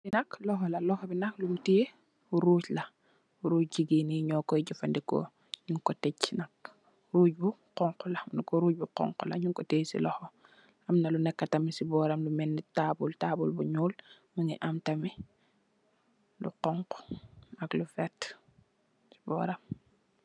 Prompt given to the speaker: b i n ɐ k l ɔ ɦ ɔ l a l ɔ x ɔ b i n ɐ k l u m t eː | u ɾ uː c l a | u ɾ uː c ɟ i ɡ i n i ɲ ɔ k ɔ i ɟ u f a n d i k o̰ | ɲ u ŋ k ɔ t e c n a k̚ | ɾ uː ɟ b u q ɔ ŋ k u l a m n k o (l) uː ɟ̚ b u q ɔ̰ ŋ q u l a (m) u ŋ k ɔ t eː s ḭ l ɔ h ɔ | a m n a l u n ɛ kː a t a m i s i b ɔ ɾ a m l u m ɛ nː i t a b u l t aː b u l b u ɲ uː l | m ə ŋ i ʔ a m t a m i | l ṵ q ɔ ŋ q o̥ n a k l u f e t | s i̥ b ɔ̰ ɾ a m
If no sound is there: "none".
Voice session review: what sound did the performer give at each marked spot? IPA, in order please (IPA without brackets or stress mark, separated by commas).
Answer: ɾ, ɲ